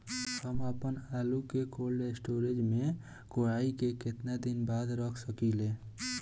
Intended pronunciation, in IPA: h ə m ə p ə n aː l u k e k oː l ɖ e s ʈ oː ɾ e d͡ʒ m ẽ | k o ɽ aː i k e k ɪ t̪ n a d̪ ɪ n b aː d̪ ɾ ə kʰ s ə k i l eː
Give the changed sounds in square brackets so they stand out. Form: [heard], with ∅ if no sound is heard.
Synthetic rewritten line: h ə m ə p ə n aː l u k e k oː l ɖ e s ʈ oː ɾ e d͡ʒ m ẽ | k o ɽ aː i k e k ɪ t̪ n a d̪ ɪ n b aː d̪ ɾ ə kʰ s ə k i l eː